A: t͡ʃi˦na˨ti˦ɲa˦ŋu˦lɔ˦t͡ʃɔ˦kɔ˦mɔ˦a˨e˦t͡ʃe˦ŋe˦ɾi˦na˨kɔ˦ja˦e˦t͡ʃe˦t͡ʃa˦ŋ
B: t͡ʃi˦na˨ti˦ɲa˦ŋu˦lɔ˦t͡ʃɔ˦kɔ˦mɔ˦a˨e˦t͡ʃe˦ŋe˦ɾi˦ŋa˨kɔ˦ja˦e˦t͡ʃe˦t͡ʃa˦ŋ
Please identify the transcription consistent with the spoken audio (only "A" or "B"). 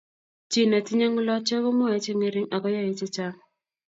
B